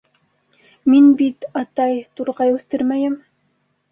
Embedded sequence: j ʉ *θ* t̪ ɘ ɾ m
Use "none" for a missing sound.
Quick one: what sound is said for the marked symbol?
θ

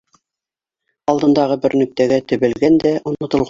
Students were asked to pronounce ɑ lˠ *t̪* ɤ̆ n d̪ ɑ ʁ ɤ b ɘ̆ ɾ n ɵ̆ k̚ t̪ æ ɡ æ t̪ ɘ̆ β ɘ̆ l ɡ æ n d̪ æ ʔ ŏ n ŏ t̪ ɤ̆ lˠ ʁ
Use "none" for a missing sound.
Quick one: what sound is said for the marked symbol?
d̪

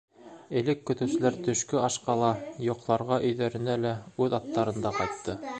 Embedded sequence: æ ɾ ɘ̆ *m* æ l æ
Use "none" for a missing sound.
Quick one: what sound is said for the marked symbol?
n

